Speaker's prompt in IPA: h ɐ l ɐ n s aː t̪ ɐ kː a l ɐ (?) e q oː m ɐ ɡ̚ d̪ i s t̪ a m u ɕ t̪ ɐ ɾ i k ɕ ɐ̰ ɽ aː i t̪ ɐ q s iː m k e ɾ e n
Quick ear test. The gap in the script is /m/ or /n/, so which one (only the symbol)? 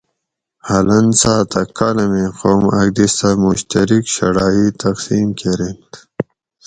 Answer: m